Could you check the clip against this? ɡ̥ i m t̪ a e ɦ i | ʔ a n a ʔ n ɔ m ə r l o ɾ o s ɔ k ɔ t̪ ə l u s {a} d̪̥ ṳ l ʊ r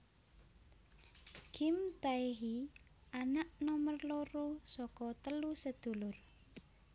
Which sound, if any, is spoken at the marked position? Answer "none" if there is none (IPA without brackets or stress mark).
ə